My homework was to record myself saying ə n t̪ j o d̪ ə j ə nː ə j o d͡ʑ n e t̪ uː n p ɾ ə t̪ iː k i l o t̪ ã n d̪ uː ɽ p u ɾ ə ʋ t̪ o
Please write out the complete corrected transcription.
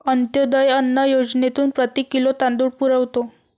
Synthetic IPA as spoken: ə n t̪ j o d̪ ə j ə nː ə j o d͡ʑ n e t̪ uː n p ɾ ə t̪ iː k i l o t̪ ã n d̪ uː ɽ p u ɾ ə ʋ t̪ o